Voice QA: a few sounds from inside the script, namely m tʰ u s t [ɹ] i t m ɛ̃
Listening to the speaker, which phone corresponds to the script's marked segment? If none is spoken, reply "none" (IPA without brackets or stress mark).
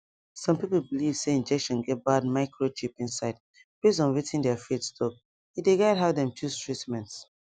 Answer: ɹ